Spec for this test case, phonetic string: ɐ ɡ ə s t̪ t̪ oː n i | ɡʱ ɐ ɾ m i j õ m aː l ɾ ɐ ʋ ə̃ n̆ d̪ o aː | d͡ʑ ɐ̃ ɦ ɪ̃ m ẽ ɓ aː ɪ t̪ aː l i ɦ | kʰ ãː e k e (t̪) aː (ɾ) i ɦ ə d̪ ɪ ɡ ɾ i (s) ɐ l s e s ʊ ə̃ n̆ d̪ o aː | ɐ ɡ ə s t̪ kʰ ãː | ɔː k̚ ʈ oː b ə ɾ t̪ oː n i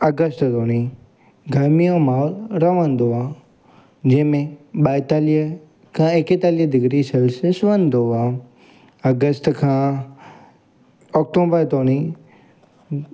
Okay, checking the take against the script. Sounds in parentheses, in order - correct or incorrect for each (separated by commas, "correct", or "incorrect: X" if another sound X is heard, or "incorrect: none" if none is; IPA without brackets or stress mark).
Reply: correct, incorrect: l, correct